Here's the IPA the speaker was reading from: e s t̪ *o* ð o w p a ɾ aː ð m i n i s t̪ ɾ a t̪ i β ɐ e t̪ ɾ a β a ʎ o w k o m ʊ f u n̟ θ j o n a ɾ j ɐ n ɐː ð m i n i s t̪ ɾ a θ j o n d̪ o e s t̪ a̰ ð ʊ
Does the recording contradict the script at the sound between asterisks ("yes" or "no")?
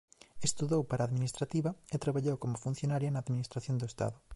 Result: yes